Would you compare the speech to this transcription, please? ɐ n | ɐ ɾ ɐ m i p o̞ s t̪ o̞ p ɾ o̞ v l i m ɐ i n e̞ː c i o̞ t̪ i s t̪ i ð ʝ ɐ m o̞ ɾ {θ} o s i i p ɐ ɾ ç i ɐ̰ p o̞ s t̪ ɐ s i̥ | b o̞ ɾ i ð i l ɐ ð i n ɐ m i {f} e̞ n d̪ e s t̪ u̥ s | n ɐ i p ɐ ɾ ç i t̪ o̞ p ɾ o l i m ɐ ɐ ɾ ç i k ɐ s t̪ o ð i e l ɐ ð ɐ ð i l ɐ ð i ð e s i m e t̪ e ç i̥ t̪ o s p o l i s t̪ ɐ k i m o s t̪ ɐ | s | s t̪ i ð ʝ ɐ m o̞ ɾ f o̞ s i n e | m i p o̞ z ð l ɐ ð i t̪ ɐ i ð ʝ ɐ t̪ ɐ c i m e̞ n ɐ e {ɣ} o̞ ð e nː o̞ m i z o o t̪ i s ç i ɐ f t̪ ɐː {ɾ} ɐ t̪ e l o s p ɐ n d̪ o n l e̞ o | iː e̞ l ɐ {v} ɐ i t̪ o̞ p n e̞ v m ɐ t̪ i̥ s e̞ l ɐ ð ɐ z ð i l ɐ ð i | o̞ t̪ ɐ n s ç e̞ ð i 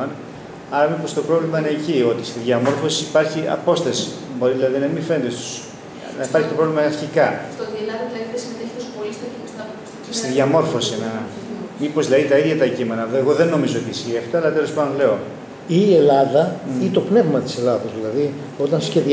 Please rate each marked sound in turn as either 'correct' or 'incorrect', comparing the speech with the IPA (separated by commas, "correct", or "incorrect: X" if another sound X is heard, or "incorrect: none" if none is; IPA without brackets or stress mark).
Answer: incorrect: f, correct, correct, incorrect: l, incorrect: ð